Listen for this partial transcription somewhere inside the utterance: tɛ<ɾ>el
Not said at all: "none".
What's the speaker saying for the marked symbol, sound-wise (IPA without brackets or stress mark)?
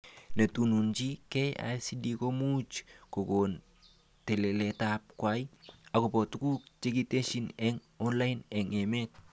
l